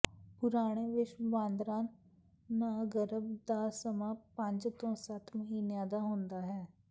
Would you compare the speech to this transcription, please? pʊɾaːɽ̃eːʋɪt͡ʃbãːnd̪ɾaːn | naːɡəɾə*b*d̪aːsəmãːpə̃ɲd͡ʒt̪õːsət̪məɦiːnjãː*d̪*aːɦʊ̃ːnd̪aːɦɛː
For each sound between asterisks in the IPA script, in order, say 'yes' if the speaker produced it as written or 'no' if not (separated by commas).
yes, yes